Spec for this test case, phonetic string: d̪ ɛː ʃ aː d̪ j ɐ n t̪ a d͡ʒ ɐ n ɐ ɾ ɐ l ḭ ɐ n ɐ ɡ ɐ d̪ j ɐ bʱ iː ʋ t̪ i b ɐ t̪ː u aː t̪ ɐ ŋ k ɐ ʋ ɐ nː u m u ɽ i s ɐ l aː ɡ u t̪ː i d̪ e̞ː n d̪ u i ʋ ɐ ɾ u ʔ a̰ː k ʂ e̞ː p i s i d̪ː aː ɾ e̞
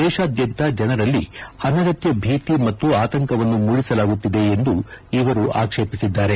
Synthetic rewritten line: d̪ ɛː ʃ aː d̪ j ɐ n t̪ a d͡ʒ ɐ n ɐ ɾ ɐ lː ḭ ɐ n ɐ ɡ ɐ t̪ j ɐ bʱ iː t̪ i m ɐ t̪ː u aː t̪ ɐ ŋ k ɐ ʋ ɐ nː u m u ɽ i s ɐ l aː ɡ u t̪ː i d̪ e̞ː n d̪ u i ʋ ɐ ɾ u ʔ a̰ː k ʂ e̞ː p i s i d̪ː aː ɾ e̞